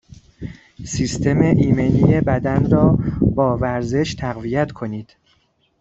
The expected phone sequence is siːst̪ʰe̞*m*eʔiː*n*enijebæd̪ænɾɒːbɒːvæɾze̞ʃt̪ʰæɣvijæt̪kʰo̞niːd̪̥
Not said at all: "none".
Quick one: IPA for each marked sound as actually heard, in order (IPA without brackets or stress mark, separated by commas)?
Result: m, m